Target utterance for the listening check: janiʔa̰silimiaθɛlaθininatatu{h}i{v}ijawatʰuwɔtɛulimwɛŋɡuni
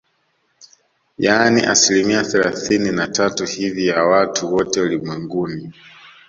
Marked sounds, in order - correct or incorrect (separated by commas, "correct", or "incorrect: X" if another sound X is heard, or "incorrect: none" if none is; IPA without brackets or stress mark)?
correct, correct